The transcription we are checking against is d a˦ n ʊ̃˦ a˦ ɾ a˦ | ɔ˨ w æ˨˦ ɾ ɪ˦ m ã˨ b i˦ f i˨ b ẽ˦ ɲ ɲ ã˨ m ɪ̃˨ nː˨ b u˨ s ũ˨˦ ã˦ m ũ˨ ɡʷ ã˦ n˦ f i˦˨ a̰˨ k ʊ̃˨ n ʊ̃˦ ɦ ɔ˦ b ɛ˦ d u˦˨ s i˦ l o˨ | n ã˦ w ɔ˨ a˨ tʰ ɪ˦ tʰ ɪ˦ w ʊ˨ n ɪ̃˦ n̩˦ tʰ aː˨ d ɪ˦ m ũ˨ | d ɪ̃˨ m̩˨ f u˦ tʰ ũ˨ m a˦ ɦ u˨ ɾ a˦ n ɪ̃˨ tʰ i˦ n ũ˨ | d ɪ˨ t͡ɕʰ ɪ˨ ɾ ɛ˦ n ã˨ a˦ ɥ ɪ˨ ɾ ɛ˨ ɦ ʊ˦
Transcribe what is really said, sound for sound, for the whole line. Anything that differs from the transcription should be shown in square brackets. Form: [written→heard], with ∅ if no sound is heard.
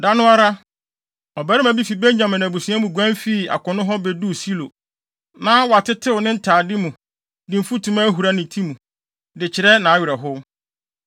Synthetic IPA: d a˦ n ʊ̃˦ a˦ ɾ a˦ | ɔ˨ [w→b] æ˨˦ ɾ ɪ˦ m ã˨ b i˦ f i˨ b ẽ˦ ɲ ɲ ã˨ m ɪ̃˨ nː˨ b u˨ s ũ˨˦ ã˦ m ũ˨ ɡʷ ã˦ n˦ f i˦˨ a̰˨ k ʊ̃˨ n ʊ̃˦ ɦ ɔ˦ b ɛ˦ d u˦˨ s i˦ l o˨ | n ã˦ w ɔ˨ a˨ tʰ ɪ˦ tʰ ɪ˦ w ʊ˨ n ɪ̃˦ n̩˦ tʰ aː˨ d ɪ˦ m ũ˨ | d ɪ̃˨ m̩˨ f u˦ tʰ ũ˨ m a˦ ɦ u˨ ɾ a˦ n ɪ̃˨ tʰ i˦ [n→m] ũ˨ | d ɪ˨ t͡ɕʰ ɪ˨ ɾ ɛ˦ n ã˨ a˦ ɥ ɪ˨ ɾ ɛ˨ ɦ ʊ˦